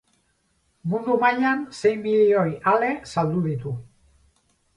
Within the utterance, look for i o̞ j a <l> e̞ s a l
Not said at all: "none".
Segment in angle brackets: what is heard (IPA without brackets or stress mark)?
l